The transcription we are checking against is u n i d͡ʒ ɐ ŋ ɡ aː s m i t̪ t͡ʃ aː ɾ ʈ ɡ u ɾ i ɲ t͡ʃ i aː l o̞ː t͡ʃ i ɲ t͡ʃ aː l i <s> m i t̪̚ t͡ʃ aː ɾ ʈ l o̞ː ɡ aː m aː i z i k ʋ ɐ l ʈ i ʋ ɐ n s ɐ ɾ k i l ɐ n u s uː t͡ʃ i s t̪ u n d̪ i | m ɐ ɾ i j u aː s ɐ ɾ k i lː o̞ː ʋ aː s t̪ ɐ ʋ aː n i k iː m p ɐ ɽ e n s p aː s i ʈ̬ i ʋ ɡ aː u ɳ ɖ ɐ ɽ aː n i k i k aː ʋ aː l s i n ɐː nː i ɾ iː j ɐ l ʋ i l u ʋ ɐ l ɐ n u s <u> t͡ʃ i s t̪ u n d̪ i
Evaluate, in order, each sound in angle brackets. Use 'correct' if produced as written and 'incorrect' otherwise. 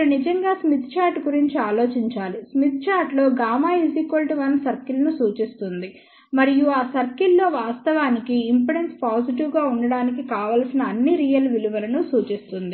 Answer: correct, incorrect: uː

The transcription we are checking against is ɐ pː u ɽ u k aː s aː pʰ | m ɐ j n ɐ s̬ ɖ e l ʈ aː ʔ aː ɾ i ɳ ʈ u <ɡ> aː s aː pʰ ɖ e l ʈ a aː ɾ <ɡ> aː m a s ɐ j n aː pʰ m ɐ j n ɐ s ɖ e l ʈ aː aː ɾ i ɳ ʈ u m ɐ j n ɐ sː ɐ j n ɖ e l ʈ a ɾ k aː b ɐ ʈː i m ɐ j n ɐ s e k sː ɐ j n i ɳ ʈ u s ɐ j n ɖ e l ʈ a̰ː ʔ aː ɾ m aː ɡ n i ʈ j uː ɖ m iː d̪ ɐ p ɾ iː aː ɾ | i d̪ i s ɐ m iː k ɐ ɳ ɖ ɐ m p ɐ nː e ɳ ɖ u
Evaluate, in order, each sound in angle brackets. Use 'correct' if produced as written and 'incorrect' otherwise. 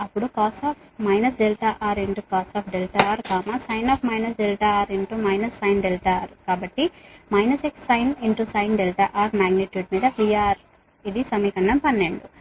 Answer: incorrect: k, incorrect: k

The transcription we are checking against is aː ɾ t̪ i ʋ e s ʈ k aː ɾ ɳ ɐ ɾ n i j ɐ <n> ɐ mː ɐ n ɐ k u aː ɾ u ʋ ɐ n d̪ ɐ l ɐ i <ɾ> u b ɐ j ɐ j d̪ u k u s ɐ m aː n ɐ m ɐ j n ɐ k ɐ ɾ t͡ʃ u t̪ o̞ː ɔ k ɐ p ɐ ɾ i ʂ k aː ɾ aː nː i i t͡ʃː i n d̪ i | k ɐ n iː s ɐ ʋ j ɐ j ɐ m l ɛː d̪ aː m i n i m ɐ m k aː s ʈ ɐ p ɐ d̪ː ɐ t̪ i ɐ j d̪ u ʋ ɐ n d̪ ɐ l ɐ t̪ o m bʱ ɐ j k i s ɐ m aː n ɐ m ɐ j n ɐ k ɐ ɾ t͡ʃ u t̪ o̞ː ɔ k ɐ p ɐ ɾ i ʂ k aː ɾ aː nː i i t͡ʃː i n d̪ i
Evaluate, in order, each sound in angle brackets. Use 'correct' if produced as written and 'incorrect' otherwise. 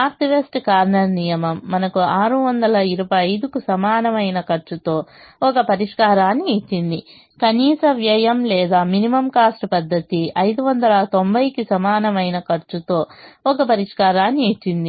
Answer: incorrect: m, correct

